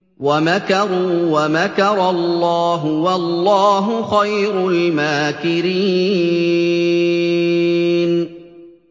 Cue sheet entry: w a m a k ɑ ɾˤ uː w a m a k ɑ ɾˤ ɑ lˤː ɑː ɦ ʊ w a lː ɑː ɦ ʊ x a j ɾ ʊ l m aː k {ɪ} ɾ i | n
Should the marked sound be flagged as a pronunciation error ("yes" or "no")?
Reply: no